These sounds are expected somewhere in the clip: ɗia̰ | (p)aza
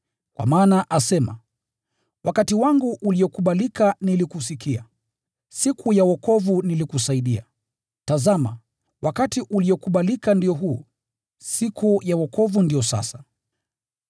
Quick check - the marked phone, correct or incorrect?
incorrect